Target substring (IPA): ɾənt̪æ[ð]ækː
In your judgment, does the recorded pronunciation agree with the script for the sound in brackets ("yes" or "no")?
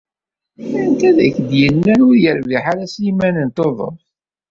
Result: yes